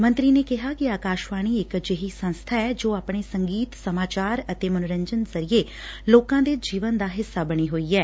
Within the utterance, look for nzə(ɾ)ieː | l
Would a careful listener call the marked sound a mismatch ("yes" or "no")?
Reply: no